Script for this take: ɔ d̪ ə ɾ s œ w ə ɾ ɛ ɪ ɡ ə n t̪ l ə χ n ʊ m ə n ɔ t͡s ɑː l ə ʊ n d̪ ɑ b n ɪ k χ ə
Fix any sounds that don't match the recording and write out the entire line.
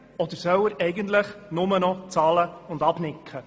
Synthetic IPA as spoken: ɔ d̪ ə ɾ s œ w ə ɾ ɛ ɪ ɡ ə n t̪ l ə χ n ʊ m ə n ɔ t͡s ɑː l ə ʊ n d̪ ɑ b n ɪ k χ ə